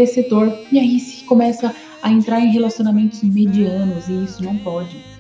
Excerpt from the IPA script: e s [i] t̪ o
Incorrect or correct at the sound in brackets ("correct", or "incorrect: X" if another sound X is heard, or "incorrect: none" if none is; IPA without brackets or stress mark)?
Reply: incorrect: e